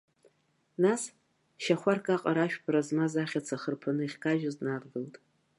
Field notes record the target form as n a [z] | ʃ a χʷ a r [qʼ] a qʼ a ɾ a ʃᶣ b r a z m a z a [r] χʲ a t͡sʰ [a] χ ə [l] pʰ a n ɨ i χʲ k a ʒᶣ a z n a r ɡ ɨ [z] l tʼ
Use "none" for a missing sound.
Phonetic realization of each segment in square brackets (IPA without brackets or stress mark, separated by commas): s, kʼ, none, a, r, none